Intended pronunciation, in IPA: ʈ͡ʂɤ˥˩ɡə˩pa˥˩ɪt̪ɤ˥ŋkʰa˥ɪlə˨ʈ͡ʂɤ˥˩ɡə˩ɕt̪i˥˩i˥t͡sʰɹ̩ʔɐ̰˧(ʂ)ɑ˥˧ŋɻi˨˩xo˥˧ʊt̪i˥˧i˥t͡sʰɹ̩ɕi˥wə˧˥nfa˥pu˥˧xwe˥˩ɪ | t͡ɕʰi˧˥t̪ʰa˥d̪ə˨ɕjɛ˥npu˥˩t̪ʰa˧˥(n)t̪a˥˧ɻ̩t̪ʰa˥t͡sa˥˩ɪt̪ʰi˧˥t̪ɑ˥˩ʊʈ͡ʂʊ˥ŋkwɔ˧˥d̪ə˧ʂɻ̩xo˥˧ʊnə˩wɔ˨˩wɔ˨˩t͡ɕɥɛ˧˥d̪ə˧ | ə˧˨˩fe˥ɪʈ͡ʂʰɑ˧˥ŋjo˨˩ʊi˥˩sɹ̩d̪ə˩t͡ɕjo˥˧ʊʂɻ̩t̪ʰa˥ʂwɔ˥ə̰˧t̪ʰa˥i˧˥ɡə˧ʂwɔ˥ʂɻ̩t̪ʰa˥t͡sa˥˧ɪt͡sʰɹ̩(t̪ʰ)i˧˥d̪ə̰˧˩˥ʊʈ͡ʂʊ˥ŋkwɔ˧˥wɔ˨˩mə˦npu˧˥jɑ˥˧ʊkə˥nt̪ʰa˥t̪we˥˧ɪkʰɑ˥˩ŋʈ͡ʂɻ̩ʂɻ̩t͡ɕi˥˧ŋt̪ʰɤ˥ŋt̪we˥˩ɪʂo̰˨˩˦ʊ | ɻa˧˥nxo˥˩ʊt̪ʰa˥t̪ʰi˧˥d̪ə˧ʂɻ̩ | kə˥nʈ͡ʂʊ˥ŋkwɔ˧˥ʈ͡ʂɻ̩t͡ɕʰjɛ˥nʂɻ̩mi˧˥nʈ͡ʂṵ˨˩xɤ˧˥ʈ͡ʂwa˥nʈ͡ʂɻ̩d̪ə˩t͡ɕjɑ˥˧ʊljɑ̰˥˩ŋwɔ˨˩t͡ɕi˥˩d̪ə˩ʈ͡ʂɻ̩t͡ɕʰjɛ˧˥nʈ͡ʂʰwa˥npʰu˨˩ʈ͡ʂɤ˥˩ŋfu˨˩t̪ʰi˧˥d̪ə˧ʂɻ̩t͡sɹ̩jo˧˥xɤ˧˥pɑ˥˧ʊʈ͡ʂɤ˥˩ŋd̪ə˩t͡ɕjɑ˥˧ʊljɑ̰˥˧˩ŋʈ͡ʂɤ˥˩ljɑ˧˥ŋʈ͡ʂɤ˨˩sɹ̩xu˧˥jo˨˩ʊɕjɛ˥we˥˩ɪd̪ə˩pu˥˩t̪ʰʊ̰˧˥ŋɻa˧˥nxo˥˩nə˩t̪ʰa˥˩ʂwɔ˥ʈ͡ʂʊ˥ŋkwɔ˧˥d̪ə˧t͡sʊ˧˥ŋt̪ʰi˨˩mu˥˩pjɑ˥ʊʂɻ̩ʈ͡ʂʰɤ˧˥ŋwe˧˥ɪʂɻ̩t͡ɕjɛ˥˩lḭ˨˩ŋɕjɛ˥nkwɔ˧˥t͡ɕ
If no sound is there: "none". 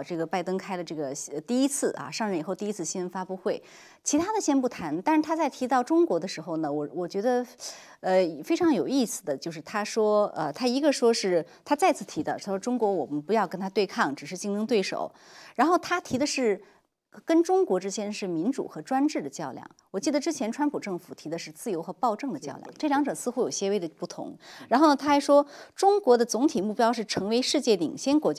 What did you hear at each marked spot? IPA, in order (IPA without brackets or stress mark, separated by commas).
ʂ, n, t̪ʰ